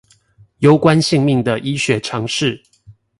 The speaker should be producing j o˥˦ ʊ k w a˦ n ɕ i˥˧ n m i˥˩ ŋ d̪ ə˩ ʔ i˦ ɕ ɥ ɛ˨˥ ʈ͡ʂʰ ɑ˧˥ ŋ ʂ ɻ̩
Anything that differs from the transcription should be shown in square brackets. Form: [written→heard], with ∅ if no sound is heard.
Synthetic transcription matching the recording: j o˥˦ ʊ k w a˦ n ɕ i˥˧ [n→ŋ] m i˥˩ ŋ d̪ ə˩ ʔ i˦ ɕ ɥ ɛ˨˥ ʈ͡ʂʰ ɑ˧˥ ŋ ʂ ɻ̩

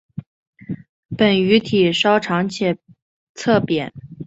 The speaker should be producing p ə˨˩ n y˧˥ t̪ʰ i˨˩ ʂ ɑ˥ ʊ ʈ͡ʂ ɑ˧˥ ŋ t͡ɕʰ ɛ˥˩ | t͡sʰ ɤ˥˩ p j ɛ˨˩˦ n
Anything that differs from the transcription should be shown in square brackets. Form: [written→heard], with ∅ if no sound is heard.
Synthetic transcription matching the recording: p ə˨˩ n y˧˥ t̪ʰ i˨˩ ʂ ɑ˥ ʊ [ʈ͡ʂ→ʈ͡ʂʰ] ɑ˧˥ ŋ t͡ɕʰ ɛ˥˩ | t͡sʰ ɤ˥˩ p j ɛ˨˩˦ n

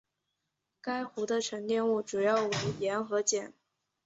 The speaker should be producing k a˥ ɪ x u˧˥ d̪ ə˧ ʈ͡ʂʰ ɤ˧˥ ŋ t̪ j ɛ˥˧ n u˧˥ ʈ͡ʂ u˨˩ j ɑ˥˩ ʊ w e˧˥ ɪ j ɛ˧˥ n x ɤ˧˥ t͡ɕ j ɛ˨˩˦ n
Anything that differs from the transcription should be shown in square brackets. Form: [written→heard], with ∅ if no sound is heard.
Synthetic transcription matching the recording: k a˥ ɪ x u˧˥ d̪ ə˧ ʈ͡ʂʰ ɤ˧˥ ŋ t̪ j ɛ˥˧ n [u˧˥→u˥˩] ʈ͡ʂ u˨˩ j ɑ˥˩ ʊ w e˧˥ ɪ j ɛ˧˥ n x ɤ˧˥ t͡ɕ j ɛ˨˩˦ n

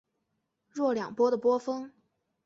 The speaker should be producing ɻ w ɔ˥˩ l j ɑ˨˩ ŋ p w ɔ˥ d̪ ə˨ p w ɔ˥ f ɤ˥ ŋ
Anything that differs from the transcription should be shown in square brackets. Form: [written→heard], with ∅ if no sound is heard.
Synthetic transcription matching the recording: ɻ w ɔ˥˩ l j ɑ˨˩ ŋ p w ɔ˥ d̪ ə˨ p w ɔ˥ f ɤ˥ ŋ

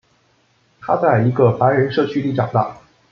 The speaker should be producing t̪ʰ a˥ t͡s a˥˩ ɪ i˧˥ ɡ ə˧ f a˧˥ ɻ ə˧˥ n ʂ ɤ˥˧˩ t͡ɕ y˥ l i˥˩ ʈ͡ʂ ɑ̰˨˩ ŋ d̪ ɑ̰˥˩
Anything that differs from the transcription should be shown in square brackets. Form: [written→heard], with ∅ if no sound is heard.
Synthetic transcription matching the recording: t̪ʰ a˥ t͡s a˥˩ ɪ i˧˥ ɡ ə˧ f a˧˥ ɻ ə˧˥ n ʂ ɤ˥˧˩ [t͡ɕ→t͡ɕʰ] y˥ l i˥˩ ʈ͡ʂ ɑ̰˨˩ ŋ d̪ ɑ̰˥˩

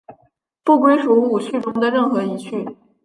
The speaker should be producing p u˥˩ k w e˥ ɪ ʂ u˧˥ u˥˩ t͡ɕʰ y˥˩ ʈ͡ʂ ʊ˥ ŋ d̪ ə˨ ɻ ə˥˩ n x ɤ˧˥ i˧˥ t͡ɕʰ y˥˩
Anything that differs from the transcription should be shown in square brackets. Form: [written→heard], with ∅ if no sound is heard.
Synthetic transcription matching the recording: p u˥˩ k w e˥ ɪ ʂ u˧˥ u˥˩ t͡ɕʰ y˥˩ ʈ͡ʂ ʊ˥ ŋ d̪ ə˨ ɻ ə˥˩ n x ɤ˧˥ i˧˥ t͡ɕʰ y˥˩

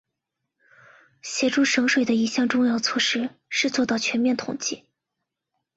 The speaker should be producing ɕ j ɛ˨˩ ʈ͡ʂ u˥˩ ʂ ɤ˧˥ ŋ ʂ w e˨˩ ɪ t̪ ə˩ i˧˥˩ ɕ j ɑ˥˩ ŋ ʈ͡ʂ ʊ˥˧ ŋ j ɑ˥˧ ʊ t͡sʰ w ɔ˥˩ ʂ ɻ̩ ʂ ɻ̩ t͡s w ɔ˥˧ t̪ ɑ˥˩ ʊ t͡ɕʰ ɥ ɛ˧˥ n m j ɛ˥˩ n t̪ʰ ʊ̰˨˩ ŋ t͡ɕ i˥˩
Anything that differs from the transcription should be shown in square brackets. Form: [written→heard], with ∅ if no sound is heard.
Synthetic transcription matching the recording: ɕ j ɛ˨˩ ʈ͡ʂ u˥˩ ʂ ɤ˧˥ ŋ ʂ w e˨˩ ɪ [t̪→d̪] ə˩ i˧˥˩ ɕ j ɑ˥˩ ŋ ʈ͡ʂ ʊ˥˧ ŋ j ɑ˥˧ ʊ t͡sʰ w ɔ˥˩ ʂ ɻ̩ ʂ ɻ̩ t͡s w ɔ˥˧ t̪ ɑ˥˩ ʊ t͡ɕʰ ɥ ɛ˧˥ n m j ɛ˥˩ n t̪ʰ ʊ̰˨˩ ŋ t͡ɕ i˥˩

